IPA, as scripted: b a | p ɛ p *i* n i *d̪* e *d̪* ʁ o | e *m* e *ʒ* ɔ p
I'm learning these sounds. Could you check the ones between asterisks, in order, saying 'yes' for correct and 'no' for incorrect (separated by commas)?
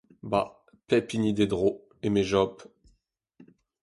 yes, yes, yes, yes, yes